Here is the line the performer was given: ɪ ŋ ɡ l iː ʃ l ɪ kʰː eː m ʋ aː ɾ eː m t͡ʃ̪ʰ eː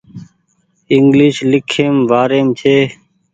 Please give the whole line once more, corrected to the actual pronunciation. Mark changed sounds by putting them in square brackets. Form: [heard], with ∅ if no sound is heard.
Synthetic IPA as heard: ɪ ŋ ɡ l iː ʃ l ɪ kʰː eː m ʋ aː ɾ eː m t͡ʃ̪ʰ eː